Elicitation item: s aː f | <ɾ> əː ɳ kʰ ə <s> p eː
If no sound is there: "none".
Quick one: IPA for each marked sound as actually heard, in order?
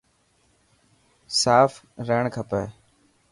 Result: ɾ, none

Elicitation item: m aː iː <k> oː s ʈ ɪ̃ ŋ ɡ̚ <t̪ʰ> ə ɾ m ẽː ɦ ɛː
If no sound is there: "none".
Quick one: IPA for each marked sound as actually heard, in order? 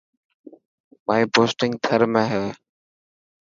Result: p, t̪ʰ

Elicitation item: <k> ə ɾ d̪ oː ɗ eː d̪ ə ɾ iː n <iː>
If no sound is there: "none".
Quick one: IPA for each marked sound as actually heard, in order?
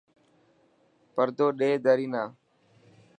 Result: p, aː

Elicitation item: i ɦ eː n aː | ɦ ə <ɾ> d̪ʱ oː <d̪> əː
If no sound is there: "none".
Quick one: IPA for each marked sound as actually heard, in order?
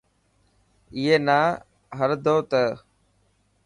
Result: ɾ, t̪

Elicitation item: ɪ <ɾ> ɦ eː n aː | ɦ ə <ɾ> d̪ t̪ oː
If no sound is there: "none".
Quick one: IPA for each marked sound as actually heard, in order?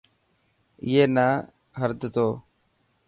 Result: none, ɾ

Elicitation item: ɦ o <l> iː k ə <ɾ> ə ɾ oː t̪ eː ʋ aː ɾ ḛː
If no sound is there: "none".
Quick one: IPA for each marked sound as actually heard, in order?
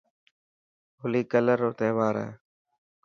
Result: l, l

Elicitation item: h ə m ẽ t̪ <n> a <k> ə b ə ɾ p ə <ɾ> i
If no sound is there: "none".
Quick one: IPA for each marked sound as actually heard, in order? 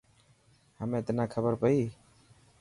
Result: n, kʰ, none

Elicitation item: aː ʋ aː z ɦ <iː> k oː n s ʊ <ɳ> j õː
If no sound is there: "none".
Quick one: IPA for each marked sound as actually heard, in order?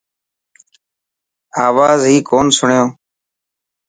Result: iː, ɳ

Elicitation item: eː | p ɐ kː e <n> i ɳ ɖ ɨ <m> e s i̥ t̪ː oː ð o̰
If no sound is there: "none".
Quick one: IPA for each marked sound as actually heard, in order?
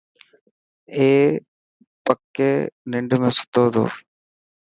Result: n, m

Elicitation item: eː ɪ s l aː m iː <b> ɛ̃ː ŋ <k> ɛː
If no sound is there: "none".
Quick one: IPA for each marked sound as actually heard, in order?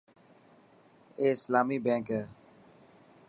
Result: b, k

